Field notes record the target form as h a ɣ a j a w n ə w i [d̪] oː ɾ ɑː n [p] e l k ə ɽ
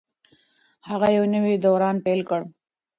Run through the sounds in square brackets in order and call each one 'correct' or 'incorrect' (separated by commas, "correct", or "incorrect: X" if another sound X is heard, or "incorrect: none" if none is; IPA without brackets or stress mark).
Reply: correct, correct